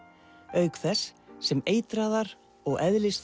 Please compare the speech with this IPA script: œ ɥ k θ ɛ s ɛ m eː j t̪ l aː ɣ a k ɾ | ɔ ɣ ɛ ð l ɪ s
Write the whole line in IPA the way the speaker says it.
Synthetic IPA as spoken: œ ɥ k θ ɛ sː ɛ m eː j t̪ ɾ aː ð a ɾ | ɔ ɣ ɛ ð l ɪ s